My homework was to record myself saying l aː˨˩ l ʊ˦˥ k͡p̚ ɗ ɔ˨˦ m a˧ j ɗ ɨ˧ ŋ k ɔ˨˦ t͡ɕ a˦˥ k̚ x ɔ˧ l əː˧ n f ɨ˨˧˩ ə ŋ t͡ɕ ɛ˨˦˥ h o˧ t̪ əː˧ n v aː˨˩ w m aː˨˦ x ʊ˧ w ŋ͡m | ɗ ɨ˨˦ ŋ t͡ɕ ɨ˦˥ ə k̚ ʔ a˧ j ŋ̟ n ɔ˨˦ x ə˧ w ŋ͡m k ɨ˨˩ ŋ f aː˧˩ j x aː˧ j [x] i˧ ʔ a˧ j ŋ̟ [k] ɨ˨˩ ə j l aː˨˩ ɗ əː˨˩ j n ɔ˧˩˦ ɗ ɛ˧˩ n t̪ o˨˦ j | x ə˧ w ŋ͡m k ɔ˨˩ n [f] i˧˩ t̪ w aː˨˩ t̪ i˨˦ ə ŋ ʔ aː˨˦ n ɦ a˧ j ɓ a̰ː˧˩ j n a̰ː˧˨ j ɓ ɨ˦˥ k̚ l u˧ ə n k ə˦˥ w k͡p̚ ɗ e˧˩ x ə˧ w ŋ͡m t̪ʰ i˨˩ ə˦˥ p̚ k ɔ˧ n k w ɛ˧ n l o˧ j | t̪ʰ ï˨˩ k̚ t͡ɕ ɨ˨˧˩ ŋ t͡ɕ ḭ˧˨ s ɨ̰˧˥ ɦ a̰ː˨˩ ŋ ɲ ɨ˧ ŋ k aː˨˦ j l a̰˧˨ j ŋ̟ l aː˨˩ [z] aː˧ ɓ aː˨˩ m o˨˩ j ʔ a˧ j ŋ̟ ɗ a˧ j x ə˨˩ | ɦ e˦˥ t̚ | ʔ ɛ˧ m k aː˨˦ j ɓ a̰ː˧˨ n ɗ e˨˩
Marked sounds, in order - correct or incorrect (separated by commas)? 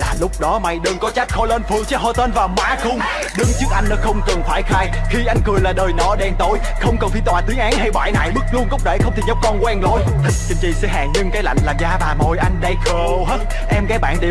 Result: correct, correct, correct, correct